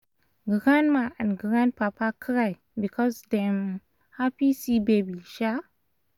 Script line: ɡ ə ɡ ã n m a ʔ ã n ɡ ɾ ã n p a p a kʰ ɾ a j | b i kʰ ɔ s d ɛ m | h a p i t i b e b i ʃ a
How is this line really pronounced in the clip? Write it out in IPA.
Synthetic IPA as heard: ɡ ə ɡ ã n m a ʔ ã n ɡ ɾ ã n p a p a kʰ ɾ a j | b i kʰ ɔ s d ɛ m | h a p i s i b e b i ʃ a